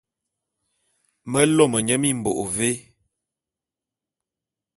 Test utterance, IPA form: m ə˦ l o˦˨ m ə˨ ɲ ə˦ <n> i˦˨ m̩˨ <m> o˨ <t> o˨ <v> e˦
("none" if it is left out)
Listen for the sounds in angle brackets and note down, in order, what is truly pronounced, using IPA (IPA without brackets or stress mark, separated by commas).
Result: m, b, ʔ, v